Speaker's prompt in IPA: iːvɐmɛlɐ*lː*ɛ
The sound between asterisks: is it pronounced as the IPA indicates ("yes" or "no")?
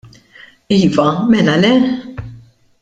no